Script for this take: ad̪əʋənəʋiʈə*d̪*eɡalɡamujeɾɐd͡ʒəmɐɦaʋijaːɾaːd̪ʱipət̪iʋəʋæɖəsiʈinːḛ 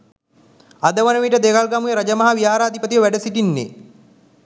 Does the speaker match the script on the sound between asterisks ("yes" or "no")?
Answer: yes